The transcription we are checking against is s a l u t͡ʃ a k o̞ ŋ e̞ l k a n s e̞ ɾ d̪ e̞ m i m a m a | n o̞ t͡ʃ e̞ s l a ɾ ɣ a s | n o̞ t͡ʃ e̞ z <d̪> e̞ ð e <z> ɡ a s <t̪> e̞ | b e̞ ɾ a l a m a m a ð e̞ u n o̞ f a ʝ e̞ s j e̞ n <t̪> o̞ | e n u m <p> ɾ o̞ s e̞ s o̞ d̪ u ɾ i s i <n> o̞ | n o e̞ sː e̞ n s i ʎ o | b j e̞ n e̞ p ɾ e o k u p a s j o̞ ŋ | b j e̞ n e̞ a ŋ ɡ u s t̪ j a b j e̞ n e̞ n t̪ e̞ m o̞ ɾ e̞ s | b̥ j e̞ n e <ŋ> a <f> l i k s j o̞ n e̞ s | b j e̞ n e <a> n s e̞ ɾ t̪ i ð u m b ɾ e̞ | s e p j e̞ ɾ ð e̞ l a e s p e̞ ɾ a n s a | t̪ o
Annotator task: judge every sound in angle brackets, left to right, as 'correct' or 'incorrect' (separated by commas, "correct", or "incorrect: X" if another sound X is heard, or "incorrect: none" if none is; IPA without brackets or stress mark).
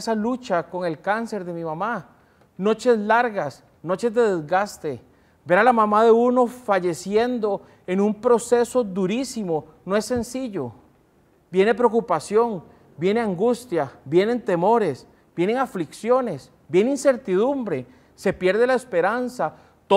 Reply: correct, correct, correct, incorrect: d̪, correct, incorrect: m, correct, correct, incorrect: i